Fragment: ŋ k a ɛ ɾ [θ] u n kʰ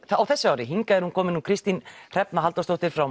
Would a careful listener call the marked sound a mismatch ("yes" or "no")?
yes